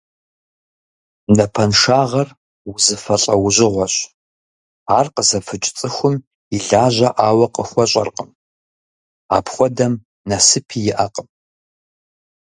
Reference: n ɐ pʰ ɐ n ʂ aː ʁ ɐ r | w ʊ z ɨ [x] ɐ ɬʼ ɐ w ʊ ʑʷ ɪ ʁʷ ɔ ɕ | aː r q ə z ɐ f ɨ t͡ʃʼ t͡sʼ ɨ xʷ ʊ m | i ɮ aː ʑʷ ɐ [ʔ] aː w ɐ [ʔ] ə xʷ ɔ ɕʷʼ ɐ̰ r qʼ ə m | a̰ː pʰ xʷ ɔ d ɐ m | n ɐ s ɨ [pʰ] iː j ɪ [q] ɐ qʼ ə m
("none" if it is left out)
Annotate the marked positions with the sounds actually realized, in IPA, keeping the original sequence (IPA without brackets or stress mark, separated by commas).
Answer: f, ʔ, q, pʰ, ʔ